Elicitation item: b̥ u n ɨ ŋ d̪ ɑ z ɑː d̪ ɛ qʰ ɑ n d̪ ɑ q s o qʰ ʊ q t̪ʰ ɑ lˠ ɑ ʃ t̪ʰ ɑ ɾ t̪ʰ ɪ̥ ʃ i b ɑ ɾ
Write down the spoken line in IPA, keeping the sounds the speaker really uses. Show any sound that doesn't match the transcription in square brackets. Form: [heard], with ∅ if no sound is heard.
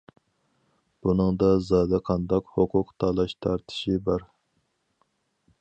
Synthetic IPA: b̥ u n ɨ ŋ d̪ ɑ z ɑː d̪ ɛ qʰ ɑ n d̪ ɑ q [h] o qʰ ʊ q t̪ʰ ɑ lˠ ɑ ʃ t̪ʰ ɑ ɾ t̪ʰ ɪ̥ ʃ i b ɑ ɾ